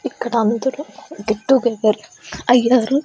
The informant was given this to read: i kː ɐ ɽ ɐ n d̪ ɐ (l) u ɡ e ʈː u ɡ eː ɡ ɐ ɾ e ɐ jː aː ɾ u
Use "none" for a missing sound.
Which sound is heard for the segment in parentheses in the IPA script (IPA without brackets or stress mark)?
ɾ